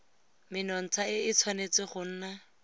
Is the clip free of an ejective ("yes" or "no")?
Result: yes